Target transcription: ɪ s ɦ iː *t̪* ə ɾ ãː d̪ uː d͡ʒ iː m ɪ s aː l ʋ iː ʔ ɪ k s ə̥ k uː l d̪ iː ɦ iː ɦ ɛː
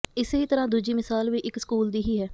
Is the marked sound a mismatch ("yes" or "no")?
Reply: no